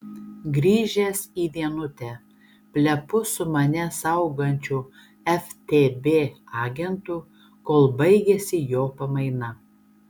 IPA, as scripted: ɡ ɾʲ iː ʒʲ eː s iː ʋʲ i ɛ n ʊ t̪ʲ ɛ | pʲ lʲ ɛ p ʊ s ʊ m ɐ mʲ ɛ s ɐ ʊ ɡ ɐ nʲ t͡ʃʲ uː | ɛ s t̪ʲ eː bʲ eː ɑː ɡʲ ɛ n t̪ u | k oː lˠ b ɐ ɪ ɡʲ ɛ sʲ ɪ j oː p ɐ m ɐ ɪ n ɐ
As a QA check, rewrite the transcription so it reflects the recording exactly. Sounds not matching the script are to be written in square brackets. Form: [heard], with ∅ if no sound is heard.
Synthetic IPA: ɡ ɾʲ iː ʒʲ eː s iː ʋʲ i ɛ n ʊ t̪ʲ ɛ | pʲ lʲ ɛ p ʊ s ʊ m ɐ [nʲ] ɛ s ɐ ʊ ɡ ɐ nʲ t͡ʃʲ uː | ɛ [f] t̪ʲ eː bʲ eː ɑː ɡʲ ɛ n t̪ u | k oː lˠ b ɐ ɪ ɡʲ ɛ sʲ ɪ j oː p ɐ m ɐ ɪ n ɐ